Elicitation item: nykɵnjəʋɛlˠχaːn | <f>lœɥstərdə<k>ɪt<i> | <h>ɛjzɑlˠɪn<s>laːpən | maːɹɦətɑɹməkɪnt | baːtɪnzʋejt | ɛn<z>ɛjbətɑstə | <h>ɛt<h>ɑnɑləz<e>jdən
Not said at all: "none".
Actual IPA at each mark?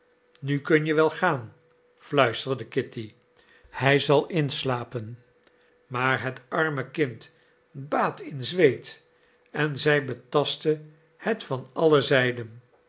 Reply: f, k, i, h, s, z, h, f, ɛ

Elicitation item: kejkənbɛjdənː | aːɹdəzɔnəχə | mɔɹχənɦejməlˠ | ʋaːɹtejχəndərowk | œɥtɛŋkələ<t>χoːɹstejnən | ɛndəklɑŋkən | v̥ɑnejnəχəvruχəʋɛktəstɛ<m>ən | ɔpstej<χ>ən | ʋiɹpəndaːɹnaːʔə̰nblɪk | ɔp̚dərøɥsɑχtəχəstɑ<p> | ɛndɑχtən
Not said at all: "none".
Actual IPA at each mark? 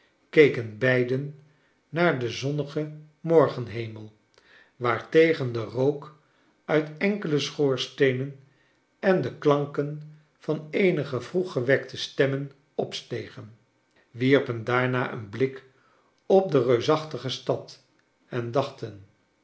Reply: s, m, χ, t

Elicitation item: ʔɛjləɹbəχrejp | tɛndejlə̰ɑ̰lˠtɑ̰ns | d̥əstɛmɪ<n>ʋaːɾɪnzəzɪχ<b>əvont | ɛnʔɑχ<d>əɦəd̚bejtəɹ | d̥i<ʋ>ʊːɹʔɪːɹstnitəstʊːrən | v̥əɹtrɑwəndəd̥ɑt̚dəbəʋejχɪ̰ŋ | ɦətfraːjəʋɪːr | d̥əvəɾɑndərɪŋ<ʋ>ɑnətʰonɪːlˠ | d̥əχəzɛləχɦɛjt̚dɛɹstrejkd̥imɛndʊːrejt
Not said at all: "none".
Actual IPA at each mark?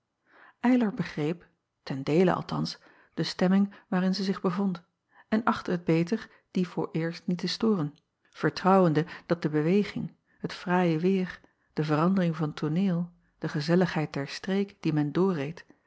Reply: ŋ, b, t, v, v

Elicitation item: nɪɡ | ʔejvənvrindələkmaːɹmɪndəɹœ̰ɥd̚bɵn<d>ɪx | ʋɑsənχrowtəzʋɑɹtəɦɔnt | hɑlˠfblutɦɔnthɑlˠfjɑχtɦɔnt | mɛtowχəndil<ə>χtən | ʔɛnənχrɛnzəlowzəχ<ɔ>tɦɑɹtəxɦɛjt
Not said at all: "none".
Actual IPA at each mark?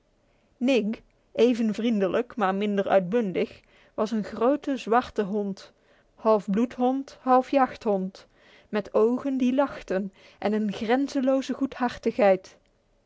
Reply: d, ɑ, u

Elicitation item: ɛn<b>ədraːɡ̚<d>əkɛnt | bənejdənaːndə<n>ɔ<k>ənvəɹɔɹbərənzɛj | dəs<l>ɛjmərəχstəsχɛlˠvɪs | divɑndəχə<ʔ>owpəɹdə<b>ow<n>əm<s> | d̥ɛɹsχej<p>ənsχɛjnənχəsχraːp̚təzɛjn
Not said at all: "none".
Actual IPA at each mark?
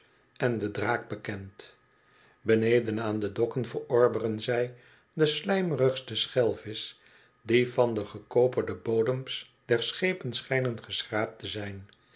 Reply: d, b, d, k, l, k, b, d, s, p

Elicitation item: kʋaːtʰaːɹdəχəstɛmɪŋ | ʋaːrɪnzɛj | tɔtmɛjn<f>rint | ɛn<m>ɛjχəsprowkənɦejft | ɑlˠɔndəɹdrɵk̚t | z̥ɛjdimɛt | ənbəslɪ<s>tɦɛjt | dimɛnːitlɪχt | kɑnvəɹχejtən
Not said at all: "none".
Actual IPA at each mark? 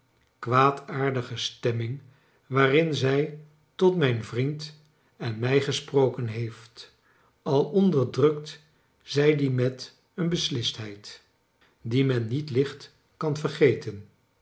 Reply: v, m, s

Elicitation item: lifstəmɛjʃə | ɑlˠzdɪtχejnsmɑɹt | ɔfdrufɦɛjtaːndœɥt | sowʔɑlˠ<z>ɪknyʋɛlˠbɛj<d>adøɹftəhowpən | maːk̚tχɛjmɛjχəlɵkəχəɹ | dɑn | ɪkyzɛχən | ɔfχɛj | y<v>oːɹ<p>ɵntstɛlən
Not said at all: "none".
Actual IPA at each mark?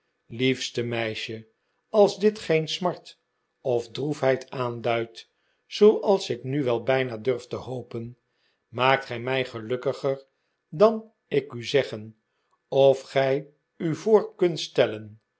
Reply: s, n, v, k

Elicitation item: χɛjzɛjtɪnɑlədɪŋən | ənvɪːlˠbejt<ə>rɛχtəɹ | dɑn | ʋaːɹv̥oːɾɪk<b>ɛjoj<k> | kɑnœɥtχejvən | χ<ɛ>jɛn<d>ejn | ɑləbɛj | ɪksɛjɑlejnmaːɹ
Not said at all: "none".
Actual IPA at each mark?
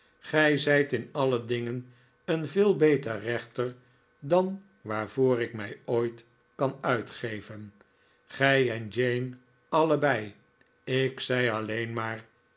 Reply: ə, m, t, ɛ, d͡ʒ

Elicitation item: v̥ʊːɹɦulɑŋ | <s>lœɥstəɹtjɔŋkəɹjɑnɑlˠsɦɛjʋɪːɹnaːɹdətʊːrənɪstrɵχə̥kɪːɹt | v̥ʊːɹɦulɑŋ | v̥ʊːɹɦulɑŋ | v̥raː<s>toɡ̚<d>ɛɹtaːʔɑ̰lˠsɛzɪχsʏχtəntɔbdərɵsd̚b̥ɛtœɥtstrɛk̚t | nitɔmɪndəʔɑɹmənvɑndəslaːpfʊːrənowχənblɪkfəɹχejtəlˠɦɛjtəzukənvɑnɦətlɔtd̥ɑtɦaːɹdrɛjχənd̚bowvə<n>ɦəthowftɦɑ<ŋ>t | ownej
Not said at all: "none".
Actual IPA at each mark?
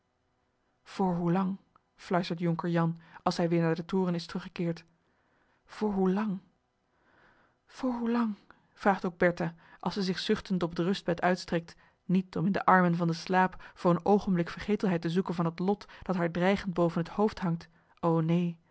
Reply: f, χ, b, n, ŋ

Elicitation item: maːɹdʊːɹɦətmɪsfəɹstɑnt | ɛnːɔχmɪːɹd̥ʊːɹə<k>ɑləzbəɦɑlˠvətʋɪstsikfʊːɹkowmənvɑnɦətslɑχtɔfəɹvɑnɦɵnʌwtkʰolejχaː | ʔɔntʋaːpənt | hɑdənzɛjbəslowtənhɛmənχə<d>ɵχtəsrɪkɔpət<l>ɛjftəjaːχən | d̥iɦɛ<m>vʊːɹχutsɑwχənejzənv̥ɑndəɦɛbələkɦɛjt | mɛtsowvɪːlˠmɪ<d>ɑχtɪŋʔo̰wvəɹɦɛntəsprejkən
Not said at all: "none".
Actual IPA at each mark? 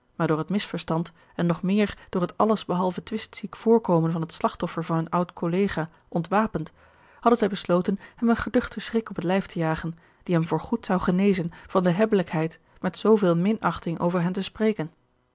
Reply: t, d, l, m, n

